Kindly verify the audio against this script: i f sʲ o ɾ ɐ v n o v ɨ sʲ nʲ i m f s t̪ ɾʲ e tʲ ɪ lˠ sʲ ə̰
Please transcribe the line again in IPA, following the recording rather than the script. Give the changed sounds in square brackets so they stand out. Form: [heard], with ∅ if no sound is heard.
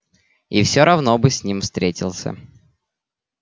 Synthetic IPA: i f sʲ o ɾ ɐ v n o [b] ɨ sʲ nʲ i m f s t̪ ɾʲ e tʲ ɪ lˠ sʲ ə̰